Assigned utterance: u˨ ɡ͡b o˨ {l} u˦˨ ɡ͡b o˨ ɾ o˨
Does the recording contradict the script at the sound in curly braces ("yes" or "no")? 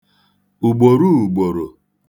yes